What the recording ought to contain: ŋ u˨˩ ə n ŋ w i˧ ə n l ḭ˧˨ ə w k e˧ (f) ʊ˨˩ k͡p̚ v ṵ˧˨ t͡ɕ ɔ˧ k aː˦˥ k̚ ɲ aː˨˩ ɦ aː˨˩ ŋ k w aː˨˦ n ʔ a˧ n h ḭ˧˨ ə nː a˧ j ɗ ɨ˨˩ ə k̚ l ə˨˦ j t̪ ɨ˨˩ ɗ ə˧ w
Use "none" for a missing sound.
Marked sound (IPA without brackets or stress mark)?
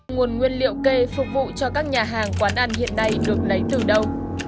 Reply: f